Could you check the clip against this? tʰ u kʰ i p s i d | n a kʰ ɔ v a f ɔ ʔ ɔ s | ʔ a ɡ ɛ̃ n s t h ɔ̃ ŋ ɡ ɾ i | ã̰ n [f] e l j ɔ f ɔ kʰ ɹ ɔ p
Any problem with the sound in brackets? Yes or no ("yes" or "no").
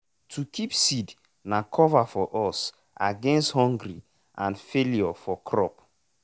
no